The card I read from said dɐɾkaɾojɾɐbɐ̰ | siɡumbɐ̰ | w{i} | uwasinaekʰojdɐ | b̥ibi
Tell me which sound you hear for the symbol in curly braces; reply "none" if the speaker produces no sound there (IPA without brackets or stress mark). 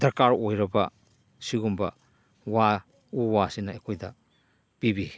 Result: a